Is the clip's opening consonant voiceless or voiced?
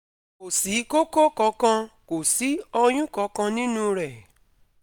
voiceless